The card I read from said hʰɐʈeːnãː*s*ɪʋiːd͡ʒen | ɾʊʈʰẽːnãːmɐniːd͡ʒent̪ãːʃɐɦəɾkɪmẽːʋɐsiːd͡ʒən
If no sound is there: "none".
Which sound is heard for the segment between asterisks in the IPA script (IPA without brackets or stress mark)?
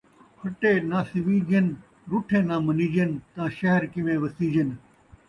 s